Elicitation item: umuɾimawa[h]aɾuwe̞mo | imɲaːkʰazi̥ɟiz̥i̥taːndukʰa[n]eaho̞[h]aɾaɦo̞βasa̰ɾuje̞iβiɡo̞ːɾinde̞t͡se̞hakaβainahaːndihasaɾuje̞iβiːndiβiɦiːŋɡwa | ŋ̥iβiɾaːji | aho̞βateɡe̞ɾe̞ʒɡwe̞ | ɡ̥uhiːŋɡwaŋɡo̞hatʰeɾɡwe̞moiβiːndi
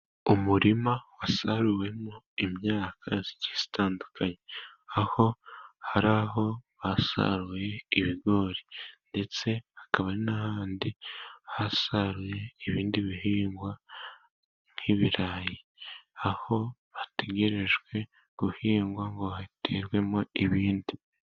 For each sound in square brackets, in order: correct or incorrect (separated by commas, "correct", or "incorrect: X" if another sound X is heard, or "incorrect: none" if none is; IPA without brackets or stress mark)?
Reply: incorrect: s, incorrect: ɲ, correct